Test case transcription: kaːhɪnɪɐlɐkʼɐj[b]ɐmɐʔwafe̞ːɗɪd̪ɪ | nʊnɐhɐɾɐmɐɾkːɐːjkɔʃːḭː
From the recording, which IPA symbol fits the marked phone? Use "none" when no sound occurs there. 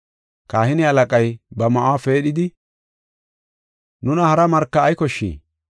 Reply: b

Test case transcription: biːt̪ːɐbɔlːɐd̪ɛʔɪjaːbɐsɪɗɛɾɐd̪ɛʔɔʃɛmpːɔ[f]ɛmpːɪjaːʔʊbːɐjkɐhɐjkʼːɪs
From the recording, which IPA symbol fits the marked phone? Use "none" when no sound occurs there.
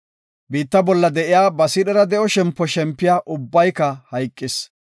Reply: ʃ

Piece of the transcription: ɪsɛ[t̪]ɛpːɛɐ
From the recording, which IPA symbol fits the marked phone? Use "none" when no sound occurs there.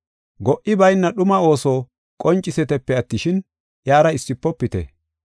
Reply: t̪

